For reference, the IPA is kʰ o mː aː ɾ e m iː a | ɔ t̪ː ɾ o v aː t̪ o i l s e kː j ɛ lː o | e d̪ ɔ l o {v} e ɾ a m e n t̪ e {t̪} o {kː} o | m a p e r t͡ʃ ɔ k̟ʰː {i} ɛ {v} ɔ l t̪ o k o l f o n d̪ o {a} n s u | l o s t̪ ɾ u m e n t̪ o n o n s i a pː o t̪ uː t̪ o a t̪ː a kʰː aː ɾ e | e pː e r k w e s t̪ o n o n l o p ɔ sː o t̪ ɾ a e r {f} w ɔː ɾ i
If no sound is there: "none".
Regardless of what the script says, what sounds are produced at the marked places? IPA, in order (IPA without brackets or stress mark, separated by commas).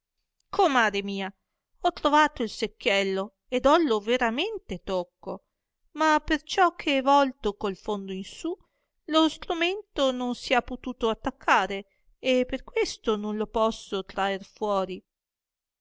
v, t̪, kː, e, v, i, f